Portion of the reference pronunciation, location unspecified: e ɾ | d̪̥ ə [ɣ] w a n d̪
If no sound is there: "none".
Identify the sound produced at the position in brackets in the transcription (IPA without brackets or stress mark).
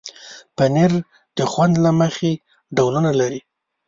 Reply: x